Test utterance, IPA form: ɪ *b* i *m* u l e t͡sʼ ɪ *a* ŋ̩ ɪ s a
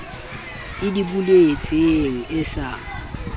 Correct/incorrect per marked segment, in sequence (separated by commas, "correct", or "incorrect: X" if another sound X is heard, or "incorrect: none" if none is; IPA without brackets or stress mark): incorrect: d, incorrect: b, incorrect: e